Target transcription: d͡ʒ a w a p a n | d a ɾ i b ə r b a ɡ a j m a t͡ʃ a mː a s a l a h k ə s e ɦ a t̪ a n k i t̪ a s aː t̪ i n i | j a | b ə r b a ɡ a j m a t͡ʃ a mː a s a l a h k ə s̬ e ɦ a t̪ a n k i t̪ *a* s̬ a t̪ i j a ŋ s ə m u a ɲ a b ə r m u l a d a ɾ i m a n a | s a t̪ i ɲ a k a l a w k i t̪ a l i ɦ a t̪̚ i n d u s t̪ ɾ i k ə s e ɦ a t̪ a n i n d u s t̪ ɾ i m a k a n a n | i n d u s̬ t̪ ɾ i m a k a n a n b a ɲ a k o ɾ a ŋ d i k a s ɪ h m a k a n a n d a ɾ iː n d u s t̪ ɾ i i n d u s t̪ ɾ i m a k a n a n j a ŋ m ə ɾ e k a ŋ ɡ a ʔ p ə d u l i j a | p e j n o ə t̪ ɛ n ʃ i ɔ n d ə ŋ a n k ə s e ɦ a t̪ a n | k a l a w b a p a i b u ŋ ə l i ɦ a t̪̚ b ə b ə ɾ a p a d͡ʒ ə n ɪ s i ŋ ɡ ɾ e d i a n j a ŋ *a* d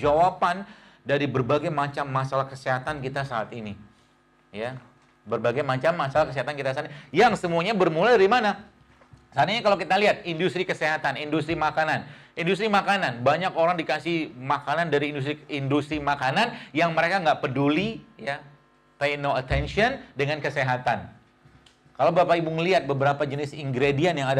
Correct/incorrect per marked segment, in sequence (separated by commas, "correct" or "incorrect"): correct, correct